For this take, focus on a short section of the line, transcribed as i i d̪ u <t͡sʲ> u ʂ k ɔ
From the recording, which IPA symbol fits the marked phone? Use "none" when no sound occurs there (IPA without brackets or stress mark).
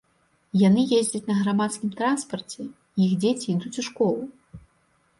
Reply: t͡sʲ